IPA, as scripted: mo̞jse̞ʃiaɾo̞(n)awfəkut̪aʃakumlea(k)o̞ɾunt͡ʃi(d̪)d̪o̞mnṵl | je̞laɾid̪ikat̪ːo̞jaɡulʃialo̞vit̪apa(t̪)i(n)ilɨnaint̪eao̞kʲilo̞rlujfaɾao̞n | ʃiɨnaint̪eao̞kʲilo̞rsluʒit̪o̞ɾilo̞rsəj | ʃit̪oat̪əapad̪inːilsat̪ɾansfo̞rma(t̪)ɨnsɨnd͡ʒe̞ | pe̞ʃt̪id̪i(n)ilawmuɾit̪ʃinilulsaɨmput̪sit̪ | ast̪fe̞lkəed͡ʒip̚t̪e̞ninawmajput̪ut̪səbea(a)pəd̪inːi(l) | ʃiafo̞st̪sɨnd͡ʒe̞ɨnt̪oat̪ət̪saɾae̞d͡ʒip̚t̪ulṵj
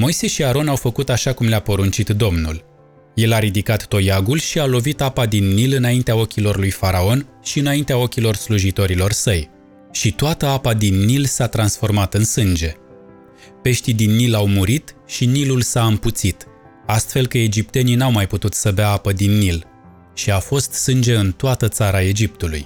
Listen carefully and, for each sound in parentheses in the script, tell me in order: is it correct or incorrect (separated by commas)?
correct, incorrect, incorrect, incorrect, incorrect, correct, incorrect, correct, correct